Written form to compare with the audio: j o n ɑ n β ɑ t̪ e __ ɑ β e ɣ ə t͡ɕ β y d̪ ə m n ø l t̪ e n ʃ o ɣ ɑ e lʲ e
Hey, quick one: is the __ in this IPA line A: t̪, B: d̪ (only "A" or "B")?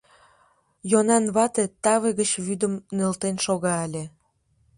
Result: A